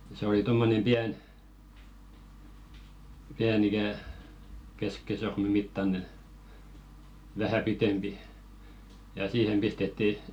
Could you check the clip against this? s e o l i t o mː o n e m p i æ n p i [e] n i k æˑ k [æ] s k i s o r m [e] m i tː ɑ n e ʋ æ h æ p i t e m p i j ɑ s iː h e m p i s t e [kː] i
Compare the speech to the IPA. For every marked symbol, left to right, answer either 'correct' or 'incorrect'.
incorrect: æ, incorrect: e, correct, incorrect: tː

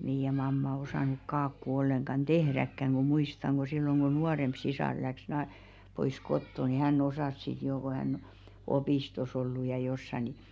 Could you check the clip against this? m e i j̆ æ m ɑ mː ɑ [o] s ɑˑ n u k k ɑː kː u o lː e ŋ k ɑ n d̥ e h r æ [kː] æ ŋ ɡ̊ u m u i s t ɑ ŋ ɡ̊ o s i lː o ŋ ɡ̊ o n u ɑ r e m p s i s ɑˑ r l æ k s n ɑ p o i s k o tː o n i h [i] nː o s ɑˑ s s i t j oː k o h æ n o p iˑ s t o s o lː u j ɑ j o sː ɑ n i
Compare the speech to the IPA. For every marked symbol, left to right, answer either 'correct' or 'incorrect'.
correct, correct, incorrect: æ

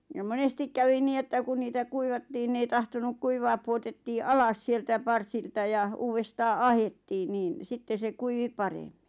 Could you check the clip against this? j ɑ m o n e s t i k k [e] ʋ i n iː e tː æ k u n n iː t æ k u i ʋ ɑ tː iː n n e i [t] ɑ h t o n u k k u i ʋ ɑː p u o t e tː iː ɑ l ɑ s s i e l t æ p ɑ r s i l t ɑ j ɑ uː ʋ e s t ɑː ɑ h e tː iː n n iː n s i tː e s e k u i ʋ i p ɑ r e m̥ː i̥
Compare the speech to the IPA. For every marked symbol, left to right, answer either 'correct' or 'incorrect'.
incorrect: æ, correct

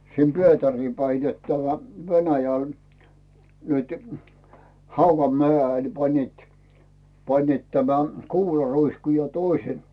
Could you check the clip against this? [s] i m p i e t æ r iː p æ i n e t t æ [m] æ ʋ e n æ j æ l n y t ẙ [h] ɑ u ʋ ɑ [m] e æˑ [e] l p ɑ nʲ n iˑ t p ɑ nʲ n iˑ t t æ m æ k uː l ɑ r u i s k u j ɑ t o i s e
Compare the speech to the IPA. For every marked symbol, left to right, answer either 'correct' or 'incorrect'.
correct, correct, correct, correct, correct

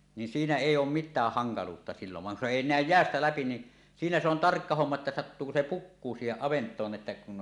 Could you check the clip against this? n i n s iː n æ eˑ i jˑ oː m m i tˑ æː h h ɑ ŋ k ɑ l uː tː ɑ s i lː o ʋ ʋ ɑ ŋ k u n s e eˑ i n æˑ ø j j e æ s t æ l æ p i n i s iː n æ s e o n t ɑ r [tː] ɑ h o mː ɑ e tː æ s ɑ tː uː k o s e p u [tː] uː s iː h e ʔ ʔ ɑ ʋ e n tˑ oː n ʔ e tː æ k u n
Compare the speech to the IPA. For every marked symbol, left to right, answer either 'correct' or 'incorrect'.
incorrect: kː, incorrect: kː

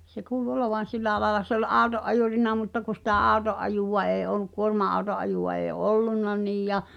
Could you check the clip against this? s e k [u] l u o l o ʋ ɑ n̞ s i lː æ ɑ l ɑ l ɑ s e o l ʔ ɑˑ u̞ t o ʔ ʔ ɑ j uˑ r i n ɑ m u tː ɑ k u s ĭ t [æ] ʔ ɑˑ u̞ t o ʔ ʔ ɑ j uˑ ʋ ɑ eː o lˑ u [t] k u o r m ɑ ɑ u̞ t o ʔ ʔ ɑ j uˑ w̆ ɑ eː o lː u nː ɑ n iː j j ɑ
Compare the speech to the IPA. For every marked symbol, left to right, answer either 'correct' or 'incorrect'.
incorrect: uː, correct, incorrect: k

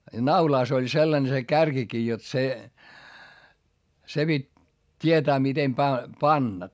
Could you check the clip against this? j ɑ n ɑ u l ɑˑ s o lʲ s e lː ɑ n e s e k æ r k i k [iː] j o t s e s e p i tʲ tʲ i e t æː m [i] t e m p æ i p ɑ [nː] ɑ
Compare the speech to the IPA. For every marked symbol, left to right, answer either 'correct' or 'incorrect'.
correct, correct, correct

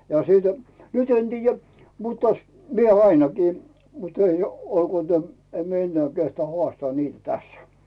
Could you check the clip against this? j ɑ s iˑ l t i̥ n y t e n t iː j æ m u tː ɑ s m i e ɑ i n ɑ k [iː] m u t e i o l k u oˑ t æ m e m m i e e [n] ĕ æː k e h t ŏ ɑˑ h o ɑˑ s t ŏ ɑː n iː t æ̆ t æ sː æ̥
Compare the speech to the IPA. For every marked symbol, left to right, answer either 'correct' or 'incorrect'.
correct, incorrect: nː

